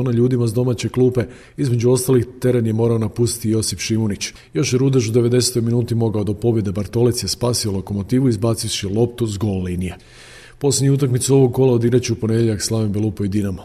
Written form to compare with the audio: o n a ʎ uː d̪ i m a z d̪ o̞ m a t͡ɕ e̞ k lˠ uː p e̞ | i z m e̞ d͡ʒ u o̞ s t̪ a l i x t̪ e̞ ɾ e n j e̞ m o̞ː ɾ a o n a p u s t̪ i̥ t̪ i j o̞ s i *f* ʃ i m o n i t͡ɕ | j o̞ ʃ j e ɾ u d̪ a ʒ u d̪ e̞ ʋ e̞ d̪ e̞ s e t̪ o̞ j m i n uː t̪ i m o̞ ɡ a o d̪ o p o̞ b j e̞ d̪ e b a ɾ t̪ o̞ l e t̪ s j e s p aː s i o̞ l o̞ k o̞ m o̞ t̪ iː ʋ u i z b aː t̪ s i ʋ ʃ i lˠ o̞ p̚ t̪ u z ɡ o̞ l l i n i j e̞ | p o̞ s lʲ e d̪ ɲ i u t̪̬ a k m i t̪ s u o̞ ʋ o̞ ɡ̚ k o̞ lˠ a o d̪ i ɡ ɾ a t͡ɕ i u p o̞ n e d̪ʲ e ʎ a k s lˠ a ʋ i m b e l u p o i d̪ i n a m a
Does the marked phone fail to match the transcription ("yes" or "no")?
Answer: no